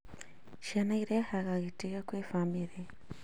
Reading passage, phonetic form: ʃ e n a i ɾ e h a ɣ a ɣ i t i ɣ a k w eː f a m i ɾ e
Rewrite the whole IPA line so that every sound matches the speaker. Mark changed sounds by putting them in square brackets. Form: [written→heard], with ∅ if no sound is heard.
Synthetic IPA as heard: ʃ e n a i ɾ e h a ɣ a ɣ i t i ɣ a k w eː f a m i ɾ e